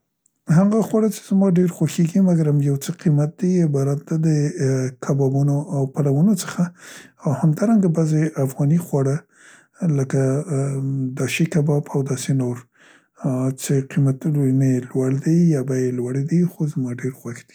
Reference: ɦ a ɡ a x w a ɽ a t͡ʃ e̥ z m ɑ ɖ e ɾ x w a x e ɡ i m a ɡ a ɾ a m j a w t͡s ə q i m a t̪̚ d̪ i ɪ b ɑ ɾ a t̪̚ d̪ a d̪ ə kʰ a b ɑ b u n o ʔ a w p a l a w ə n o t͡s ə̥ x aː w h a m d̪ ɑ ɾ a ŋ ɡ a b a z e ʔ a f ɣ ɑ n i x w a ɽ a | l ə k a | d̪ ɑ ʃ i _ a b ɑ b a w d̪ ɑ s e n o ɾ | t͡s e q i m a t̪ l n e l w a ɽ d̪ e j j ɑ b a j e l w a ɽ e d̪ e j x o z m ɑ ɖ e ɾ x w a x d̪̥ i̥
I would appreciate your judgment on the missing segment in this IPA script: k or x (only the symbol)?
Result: k